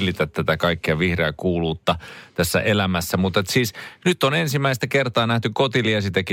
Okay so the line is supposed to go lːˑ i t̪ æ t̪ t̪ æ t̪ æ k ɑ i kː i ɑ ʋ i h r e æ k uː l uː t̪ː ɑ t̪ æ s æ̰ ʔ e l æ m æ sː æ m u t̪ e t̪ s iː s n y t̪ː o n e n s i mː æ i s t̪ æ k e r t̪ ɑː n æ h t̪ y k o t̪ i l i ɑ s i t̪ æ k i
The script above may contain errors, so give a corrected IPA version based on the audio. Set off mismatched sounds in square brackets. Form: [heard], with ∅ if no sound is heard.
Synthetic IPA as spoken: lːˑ i t̪ æ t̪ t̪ æ t̪ æ k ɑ i kː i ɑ ʋ i h r e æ k uː l uː t̪ː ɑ t̪ æ [sː] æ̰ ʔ e l æ m æ sː æ m u t̪ e t̪ s iː s n y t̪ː o n e n s i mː æ i s t̪ æ k e r t̪ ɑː n æ h t̪ y k o t̪ i l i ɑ s i t̪ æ k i